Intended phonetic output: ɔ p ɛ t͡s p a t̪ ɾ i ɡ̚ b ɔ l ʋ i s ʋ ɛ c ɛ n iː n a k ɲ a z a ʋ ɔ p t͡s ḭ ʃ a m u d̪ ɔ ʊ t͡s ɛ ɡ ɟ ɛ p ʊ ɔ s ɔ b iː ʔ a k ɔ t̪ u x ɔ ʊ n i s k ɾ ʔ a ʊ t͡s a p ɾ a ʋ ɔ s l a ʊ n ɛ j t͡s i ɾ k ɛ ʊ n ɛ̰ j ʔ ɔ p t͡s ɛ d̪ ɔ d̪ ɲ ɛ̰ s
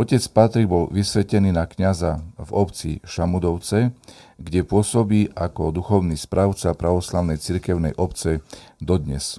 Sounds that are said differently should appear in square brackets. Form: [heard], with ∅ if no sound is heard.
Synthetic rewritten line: ɔ [c] ɛ t͡s p a t̪ ɾ i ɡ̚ b ɔ l ʋ i s ʋ ɛ c ɛ n iː n a k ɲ a z a [v] ɔ p t͡s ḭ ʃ a m u d̪ ɔ ʊ t͡s ɛ ɡ ɟ ɛ p ʊ ɔ s ɔ b iː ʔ a k ɔ [d̪] u x ɔ ʊ n i s [p] ɾ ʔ a ʊ t͡s a p ɾ a ʋ ɔ s l a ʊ n ɛ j t͡s i ɾ k ɛ ʊ n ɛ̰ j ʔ ɔ p t͡s ɛ d̪ ɔ d̪ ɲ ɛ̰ s